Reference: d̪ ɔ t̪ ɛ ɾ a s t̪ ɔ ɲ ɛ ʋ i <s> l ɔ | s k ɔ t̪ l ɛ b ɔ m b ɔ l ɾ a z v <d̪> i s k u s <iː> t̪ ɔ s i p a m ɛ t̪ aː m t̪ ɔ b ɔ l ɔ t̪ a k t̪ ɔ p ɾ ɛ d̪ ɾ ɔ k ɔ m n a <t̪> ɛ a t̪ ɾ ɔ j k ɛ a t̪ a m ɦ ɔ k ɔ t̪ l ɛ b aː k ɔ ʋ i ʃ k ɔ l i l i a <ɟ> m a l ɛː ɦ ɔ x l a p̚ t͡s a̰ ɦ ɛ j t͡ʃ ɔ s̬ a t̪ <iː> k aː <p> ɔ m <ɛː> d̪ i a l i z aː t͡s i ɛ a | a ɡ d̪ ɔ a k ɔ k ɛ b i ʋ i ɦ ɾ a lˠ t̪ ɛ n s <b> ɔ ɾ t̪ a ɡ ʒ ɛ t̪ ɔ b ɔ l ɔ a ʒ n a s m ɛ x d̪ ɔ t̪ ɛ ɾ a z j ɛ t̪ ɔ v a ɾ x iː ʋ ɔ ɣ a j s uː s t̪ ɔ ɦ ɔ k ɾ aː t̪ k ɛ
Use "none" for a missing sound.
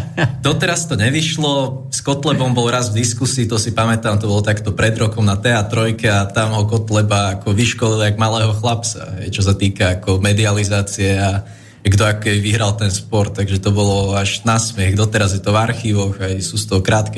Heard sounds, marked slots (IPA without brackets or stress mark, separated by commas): ʃ, d̪, iː, t̪, ɡ, iː, k, ɛ, p